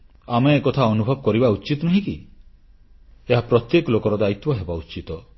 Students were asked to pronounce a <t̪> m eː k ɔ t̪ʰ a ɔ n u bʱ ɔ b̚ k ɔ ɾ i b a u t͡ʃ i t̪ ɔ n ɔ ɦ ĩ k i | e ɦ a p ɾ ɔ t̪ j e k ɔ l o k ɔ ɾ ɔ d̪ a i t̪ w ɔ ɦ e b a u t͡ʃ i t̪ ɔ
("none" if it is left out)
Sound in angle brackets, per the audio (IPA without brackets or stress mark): none